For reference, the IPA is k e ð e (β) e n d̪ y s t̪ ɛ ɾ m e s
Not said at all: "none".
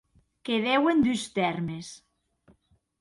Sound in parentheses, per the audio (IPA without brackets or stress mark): w